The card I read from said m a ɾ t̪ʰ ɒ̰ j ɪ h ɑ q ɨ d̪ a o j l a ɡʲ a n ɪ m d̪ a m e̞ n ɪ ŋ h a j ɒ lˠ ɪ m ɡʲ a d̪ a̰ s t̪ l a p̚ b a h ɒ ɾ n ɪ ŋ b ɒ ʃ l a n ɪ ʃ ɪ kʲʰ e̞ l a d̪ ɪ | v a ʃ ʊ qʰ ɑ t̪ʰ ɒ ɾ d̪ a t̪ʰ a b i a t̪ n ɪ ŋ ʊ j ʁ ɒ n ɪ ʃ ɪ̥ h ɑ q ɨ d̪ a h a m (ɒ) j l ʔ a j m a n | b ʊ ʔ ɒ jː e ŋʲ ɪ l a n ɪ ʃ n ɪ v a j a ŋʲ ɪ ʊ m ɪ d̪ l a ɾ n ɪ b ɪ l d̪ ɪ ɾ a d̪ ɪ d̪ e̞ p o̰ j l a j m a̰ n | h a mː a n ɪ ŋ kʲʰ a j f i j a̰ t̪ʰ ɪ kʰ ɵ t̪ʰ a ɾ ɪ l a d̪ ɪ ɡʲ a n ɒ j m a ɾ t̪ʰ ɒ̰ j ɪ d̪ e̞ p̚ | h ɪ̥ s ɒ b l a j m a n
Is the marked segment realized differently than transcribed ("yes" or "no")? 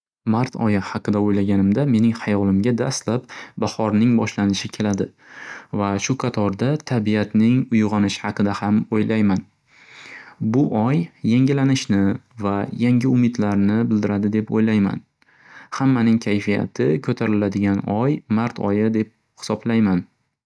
yes